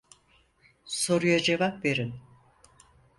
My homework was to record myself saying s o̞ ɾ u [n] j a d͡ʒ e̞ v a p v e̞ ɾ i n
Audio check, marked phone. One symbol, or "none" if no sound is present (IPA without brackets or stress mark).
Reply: none